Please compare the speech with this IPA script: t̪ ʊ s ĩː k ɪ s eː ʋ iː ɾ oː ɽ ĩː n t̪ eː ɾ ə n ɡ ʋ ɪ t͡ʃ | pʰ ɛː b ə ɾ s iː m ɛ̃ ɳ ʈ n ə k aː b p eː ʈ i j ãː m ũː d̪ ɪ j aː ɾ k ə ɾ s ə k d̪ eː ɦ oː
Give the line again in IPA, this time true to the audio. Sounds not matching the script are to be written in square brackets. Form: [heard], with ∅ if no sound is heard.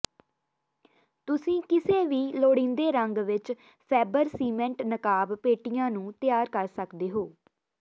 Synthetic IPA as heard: t̪ ʊ s ĩː k ɪ s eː ʋ iː [l] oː ɽ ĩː n [d̪] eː ɾ ə [ŋ] ɡ ʋ ɪ t͡ʃ | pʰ ɛː b ə ɾ s iː m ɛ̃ ɳ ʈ n ə k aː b p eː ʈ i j ãː [n] ũː [t̪] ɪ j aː ɾ k ə ɾ s ə k d̪ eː ɦ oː